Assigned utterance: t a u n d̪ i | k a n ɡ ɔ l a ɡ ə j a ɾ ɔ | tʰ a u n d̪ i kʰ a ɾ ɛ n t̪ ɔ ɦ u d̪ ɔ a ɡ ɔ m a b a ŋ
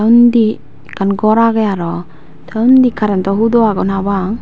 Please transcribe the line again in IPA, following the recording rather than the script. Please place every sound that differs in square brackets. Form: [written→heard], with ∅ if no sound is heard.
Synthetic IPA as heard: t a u n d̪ i | k a n ɡ ɔ [l→ɾ] a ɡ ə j a ɾ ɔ | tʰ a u n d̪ i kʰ a ɾ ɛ n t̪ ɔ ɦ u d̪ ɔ a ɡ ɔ [m→n] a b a ŋ